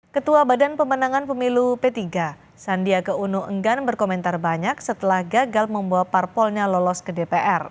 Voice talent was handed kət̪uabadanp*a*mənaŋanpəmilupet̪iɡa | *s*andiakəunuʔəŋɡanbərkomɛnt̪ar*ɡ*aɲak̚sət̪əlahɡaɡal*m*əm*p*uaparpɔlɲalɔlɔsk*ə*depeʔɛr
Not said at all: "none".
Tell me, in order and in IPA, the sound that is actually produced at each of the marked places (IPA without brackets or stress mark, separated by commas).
ə, s, b, m, b, ə